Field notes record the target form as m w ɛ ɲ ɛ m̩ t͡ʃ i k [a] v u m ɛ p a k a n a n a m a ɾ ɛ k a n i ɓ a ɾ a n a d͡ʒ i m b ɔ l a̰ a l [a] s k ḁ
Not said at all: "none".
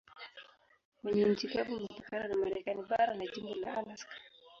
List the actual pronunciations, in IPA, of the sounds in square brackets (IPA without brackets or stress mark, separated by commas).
a, a